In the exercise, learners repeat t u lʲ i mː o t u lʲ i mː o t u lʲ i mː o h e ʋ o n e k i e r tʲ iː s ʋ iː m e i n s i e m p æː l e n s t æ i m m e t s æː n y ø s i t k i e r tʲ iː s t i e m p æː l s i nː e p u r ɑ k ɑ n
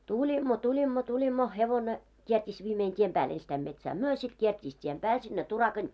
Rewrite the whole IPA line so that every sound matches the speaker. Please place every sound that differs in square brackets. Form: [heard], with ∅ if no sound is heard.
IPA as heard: t u lʲ i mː o t u lʲ i mː o t u lʲ i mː o h e ʋ o n e k i e r tʲ iː s ʋ iː m e i n [t] i e m p æː l e n s t æ i m m e t s æː [m] y ø s i t k i e r tʲ iː s t i e m p æː l s i nː e [t] u r ɑ k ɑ n